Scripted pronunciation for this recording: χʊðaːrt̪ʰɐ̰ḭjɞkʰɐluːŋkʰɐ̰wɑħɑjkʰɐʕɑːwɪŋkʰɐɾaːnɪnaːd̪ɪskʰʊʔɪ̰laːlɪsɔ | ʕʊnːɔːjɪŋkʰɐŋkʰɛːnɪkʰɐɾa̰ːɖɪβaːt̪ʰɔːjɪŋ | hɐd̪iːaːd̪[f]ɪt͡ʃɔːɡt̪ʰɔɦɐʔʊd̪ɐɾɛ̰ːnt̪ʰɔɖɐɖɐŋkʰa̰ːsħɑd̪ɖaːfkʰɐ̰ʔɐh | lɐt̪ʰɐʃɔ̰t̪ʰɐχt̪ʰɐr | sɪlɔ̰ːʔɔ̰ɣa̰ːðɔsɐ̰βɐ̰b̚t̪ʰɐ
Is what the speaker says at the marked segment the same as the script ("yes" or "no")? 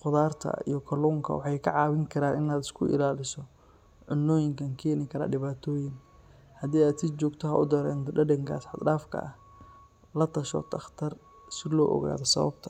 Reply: no